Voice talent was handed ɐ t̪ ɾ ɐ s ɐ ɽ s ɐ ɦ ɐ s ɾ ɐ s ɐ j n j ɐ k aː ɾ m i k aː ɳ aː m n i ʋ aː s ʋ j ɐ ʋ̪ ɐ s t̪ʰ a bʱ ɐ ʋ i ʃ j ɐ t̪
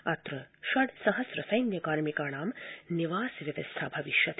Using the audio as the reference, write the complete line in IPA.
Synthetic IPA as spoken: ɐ t̪ ɾ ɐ ʃ ɐ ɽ s ɐ ɦ ɐ s ɾ ɐ s ɐ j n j ɐ k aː ɾ m i k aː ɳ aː m n i ʋ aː s ʋ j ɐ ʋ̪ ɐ s t̪ʰ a bʱ ɐ ʋ i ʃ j ɐ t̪